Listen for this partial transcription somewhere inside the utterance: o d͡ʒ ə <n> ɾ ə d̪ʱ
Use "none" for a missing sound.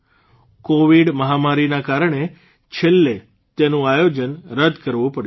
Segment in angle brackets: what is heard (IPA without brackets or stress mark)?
n